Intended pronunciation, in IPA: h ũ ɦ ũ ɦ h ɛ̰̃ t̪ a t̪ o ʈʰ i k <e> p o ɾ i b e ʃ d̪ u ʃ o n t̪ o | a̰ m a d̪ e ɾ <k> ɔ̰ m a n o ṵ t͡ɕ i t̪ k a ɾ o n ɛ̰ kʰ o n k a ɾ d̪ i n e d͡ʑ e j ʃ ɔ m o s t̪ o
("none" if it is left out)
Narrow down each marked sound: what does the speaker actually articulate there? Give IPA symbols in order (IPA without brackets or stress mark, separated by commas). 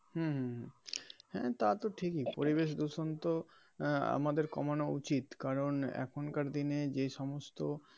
i, k